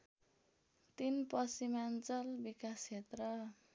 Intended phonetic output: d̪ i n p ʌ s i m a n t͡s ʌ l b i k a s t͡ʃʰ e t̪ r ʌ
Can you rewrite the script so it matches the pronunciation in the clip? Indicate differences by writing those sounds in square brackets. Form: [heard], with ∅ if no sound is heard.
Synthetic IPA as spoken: [t̪] i n p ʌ s i m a n t͡s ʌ l b i k a s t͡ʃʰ e t̪ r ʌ